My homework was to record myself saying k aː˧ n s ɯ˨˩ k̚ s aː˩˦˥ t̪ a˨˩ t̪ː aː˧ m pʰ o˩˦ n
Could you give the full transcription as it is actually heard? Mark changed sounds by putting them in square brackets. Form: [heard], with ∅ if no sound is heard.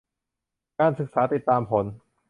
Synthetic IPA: k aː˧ n s ɯ˨˩ k̚ s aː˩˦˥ t̪ [i˨˩] t̪ː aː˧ m pʰ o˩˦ n